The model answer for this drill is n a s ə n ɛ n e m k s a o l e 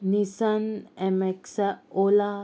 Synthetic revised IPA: n i s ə n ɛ m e k s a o l a